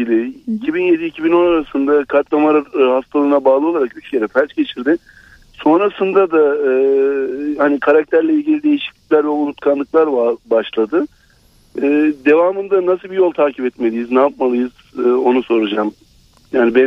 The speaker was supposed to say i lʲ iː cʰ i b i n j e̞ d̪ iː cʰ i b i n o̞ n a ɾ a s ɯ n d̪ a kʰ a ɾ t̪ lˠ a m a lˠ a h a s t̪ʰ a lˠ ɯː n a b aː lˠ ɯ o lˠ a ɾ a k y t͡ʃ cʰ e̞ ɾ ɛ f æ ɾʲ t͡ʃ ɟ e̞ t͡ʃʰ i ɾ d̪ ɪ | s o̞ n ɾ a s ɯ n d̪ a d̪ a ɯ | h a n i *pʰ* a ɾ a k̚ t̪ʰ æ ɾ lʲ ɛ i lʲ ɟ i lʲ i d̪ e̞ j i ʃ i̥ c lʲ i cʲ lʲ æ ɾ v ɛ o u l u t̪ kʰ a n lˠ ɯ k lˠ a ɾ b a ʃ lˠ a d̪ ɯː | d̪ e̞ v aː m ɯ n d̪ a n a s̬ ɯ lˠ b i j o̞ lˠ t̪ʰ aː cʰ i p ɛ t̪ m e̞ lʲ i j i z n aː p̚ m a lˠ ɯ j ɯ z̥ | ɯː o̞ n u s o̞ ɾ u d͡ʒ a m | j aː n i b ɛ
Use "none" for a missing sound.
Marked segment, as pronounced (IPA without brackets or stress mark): kʰ